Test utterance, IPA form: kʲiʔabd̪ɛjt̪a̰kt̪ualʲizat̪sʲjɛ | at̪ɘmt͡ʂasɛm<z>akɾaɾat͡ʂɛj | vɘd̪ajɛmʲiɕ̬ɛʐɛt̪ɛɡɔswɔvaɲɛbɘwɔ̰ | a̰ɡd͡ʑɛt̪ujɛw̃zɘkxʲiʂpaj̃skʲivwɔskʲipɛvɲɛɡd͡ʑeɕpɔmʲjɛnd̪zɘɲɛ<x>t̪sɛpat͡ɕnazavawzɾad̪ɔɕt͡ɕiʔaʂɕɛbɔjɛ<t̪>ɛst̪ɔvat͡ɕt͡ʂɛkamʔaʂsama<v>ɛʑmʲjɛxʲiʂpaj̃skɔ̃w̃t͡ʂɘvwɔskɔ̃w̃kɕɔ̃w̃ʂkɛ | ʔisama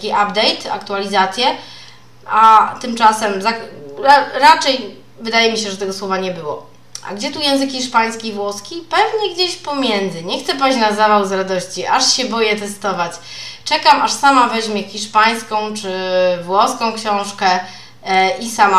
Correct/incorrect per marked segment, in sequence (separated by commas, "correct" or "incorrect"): correct, correct, correct, correct